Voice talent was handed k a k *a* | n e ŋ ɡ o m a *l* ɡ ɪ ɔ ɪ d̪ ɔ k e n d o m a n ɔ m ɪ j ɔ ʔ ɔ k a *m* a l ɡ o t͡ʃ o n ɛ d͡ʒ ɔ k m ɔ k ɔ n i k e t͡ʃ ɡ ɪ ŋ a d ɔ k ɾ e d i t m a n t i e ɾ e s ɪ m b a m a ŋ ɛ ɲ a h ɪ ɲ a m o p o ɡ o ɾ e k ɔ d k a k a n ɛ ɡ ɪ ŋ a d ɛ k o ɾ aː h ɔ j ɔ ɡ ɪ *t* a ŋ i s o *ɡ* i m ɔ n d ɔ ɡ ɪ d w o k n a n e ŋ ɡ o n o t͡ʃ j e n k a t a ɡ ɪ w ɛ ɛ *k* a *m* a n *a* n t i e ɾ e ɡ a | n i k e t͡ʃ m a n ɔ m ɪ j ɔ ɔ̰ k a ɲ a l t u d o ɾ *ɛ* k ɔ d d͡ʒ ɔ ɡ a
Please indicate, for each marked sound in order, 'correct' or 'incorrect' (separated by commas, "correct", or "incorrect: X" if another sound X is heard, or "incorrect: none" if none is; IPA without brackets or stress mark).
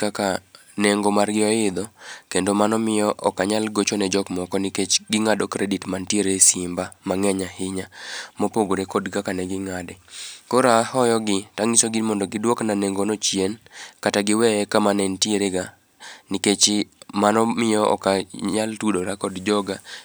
correct, incorrect: r, incorrect: ɲ, correct, correct, correct, correct, incorrect: ɛ, incorrect: a